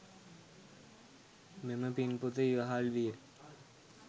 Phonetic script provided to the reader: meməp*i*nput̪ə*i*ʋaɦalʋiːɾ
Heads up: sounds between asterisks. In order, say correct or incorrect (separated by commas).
correct, correct